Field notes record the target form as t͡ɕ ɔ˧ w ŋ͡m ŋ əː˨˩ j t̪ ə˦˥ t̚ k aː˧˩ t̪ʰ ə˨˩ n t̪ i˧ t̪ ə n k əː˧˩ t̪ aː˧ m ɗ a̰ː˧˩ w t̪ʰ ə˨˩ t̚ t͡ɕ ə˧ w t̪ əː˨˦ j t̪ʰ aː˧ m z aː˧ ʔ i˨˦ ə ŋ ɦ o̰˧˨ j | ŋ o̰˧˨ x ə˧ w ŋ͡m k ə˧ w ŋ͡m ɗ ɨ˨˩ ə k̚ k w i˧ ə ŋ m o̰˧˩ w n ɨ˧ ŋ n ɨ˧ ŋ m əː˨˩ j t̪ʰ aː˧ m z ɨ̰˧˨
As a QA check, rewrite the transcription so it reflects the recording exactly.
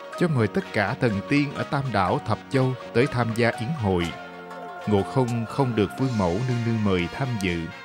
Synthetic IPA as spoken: t͡ɕ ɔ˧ w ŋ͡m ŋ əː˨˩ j t̪ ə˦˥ t̚ k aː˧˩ t̪ʰ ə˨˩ n t̪ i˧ ə n ʔ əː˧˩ t̪ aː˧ m ɗ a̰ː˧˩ w t̪ʰ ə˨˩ p̚ t͡ɕ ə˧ w t̪ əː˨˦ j t̪ʰ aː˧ m z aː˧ ʔ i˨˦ ə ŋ ɦ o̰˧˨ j | ŋ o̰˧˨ x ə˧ w ŋ͡m x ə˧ w ŋ͡m ɗ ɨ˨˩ ə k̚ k w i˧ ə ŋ m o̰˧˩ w n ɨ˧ ŋ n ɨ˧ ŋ m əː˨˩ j t̪ʰ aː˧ m z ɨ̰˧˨